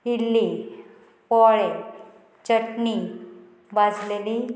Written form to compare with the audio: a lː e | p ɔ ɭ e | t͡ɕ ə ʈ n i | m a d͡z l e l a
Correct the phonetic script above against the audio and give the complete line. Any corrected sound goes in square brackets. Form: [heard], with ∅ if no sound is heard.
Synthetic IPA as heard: [i] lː [i] | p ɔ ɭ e | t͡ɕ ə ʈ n i | [b] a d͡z l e l [i]